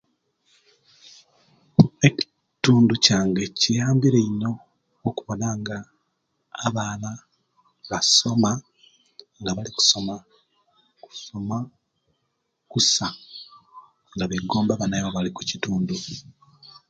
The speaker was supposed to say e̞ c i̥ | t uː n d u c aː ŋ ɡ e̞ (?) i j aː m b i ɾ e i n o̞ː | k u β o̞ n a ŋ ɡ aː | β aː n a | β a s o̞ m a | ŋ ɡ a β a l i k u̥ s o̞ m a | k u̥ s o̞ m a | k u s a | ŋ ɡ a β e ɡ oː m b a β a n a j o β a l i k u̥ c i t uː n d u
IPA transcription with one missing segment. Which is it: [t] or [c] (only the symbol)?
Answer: c